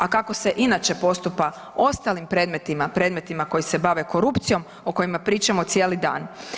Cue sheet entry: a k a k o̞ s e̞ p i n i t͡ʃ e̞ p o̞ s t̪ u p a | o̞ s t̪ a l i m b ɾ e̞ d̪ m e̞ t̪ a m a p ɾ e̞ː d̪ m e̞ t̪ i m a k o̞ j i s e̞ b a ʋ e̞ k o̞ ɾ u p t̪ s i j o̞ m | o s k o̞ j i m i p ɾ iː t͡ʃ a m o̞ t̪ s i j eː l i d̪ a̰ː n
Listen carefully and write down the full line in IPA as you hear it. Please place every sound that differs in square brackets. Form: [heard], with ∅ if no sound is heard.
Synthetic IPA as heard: a k a k o̞ s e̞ [ʔ] i n [a] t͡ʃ e̞ p o̞ s t̪ u p a | o̞ s t̪ a l i m [p] ɾ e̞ d̪ m e̞ t̪ [i] m a p ɾ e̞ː d̪ m e̞ t̪ i m a k o̞ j i s e̞ b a ʋ e̞ k o̞ ɾ u p t̪ s i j o̞ m | o [∅] k o̞ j i m [a] p ɾ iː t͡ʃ a m o̞ t̪ s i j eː l i d̪ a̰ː n